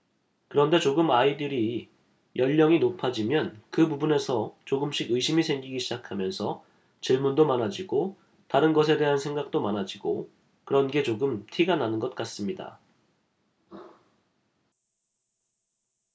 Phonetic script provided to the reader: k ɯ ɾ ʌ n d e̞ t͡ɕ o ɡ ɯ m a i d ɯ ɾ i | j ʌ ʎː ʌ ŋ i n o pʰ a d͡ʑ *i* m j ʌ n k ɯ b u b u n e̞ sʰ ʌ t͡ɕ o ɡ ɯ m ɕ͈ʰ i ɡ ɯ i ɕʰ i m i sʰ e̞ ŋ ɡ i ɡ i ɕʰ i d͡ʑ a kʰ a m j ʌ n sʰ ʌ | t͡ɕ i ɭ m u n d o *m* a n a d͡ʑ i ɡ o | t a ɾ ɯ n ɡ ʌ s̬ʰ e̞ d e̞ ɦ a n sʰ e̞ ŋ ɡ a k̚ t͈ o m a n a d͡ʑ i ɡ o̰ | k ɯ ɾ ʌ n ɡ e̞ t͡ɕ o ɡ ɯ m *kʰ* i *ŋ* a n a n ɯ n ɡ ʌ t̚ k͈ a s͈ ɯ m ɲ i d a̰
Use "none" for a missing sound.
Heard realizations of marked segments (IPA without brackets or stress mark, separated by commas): i, m, tʰ, ɡ